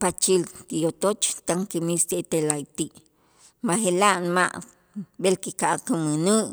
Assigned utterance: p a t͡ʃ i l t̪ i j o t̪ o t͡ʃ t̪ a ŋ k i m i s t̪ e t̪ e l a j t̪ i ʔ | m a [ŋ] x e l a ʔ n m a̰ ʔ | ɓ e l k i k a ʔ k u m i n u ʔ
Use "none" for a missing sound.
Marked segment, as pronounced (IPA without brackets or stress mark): none